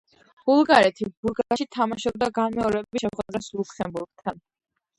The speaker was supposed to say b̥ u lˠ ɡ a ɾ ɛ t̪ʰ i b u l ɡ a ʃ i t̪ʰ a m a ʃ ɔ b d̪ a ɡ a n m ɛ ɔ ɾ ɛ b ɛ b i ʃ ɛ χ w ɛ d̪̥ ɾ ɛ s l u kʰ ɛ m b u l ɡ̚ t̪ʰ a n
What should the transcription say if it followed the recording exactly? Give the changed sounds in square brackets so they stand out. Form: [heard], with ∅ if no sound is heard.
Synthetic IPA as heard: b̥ u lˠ ɡ a ɾ ɛ t̪ʰ i b u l ɡ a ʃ i t̪ʰ a m a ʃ ɔ b d̪ a ɡ a n m ɛ ɔ ɾ ɛ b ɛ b i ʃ ɛ χ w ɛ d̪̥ ɾ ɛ s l u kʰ ɛ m b u [ɾ] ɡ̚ t̪ʰ a n